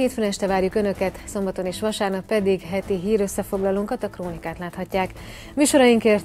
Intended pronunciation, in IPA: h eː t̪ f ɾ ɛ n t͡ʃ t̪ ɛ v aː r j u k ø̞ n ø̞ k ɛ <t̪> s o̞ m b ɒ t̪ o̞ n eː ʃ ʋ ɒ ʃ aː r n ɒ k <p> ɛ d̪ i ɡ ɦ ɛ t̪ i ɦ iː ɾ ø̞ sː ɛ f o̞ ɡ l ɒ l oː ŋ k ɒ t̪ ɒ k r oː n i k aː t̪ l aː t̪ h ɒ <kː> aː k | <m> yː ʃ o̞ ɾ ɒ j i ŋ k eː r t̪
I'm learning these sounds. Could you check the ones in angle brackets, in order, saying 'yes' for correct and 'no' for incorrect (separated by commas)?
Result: yes, yes, no, yes